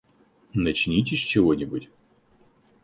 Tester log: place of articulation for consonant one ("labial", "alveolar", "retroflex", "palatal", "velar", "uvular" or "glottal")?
alveolar